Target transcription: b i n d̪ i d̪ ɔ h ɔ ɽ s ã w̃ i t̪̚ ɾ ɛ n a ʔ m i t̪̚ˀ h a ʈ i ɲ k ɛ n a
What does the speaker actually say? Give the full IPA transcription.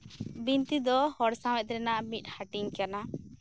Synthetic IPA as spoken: b i n t̪ i d̪ ɔ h ɔ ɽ s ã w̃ ɛ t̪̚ ɾ ɛ n a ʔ m i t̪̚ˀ h a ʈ i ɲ k a n a